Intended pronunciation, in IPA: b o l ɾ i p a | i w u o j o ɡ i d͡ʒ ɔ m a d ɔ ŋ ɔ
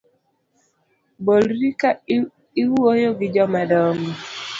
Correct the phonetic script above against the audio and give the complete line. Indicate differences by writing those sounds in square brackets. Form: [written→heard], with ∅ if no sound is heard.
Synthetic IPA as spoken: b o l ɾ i [p→k] a | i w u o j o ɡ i d͡ʒ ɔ m a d ɔ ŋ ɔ

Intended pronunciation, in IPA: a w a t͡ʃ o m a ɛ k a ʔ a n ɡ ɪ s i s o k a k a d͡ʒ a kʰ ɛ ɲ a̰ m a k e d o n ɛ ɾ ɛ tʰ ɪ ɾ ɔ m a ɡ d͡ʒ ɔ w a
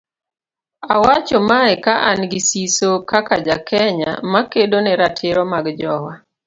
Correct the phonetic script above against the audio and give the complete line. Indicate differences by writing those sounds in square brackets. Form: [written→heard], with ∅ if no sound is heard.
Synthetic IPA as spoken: a w a t͡ʃ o m a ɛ k a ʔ a n ɡ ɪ s i s o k a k a d͡ʒ a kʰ ɛ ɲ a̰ m a k e d o n ɛ ɾ [ɛ→a] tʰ ɪ ɾ ɔ m a ɡ d͡ʒ ɔ w a

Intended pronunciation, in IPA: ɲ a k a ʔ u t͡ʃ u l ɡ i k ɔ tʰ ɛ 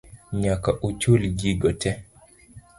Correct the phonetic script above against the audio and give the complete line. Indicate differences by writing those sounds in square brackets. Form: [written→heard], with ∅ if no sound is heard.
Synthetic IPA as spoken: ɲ a k a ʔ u t͡ʃ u l ɡ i [k→ɡ] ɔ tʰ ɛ

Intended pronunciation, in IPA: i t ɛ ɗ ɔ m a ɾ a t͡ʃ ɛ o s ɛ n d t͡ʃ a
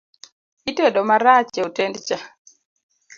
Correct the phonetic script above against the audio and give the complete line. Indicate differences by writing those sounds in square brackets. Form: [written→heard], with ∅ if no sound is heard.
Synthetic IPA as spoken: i t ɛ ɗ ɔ m a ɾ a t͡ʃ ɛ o [s→t] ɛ n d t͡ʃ a

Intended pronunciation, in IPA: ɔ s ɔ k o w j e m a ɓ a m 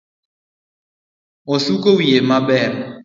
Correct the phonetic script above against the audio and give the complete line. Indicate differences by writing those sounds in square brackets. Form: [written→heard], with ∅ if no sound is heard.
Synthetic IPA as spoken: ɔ s [ɔ→u] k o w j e m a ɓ [a→ɛ] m

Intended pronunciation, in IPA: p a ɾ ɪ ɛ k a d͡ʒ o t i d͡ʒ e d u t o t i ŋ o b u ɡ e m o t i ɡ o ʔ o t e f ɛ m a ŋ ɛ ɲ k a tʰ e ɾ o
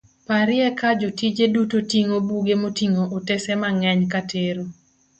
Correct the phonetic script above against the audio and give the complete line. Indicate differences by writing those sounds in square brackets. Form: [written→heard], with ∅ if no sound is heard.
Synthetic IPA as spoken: p a ɾ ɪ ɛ k a d͡ʒ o t i d͡ʒ e d u t o t i ŋ o b u ɡ e m o t i [ɡ→ŋ] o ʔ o t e [f→s] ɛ m a ŋ ɛ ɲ k a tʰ e ɾ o

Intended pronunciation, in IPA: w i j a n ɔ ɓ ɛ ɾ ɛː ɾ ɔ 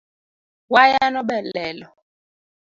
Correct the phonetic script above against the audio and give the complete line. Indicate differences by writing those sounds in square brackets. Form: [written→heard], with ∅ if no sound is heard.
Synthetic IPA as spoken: w [i→a] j a n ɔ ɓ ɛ [ɾ→l] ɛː [ɾ→l] ɔ

